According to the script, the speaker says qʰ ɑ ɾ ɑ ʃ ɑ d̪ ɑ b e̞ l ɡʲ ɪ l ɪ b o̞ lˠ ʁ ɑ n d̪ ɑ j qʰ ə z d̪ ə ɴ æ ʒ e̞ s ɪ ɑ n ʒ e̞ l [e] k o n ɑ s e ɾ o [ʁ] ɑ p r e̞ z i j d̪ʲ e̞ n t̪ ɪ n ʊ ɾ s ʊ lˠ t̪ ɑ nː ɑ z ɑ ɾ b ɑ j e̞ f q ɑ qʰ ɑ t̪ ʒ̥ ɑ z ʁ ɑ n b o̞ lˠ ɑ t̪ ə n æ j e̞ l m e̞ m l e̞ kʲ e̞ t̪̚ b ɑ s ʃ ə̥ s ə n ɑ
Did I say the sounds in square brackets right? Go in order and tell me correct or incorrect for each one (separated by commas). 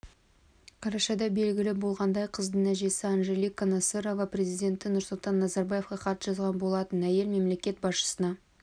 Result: incorrect, incorrect